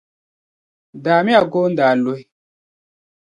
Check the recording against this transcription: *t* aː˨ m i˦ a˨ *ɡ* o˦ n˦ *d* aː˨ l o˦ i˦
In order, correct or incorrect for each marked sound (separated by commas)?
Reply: incorrect, correct, correct